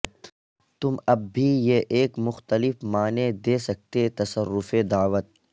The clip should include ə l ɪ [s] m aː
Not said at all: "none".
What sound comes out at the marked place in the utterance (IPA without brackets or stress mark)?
f